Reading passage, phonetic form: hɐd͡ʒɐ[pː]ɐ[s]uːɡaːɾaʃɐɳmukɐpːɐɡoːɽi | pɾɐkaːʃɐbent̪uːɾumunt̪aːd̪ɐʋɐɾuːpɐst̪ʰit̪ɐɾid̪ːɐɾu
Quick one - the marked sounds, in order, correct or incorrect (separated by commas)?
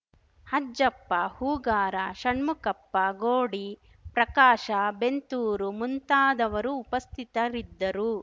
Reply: correct, incorrect